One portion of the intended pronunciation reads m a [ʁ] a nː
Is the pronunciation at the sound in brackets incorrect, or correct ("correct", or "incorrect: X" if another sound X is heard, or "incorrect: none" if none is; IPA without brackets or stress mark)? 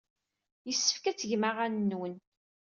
correct